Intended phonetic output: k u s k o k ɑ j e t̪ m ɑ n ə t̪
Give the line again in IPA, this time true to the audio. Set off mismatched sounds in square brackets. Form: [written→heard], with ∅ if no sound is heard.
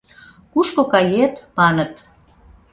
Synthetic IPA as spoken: k u [s→ʃ] k o k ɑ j e t̪ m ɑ n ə t̪